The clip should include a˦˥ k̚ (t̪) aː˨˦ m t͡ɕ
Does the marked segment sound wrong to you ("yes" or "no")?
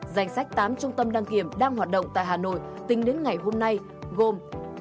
no